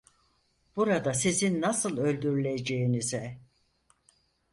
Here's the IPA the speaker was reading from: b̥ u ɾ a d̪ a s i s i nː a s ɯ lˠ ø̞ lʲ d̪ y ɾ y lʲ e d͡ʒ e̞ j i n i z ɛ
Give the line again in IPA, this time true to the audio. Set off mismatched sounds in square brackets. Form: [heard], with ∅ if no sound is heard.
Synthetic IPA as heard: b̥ u ɾ a d̪ a s i [z] i nː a s ɯ lˠ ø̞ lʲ d̪ y ɾ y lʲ e d͡ʒ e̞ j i n i z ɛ